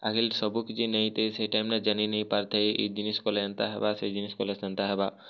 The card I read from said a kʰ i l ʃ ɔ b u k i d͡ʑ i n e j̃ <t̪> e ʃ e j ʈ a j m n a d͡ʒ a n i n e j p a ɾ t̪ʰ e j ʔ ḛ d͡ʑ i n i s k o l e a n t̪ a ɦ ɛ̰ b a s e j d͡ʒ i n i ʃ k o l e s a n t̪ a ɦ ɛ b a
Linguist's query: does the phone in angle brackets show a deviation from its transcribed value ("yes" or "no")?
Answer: no